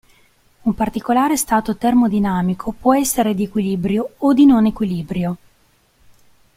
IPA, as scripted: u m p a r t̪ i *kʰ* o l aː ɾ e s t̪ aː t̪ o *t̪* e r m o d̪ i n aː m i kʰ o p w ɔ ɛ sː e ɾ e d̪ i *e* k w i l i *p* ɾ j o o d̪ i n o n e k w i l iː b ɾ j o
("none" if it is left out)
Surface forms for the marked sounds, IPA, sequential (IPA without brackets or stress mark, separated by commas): k, t̪, e, b